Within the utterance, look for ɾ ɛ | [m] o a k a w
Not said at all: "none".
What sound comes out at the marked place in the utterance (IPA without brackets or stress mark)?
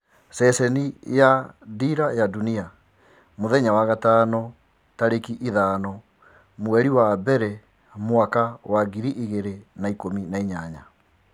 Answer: m